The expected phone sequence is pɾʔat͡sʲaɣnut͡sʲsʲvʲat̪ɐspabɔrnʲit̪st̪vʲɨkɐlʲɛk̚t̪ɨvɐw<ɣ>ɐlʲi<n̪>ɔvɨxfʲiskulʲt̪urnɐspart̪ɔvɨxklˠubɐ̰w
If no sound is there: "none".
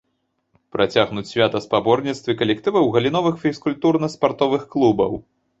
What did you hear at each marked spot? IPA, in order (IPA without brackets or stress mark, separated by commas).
ɣ, n̪